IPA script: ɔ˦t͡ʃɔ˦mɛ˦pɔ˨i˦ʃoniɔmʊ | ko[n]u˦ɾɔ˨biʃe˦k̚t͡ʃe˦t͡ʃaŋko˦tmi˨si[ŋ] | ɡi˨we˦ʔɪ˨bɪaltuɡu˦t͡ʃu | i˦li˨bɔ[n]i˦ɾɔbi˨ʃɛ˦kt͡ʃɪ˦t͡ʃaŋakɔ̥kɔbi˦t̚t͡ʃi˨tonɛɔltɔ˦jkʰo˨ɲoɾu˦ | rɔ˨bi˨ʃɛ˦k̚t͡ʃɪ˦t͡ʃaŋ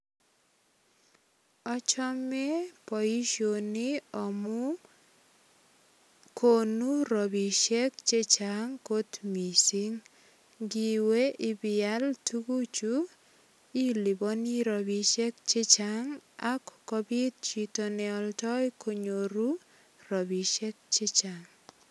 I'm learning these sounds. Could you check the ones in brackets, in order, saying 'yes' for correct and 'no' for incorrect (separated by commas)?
yes, yes, yes